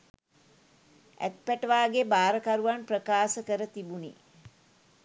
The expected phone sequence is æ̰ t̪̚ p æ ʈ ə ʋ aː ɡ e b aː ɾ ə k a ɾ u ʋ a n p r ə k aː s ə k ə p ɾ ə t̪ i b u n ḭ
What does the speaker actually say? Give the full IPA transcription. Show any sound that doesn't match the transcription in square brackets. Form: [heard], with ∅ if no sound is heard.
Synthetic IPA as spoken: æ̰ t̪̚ p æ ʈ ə ʋ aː ɡ e b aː ɾ ə k a ɾ u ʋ a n p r ə k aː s ə k ə [∅] ɾ ə t̪ i b u n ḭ